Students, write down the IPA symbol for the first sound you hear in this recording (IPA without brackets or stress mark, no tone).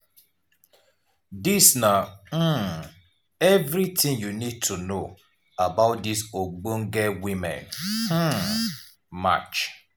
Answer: d